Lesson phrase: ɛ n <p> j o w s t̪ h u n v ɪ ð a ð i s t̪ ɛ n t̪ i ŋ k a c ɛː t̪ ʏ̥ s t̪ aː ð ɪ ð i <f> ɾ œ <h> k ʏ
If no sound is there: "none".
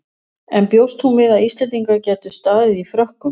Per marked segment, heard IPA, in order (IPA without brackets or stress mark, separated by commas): p, f, h